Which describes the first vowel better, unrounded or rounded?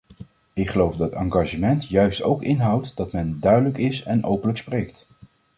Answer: unrounded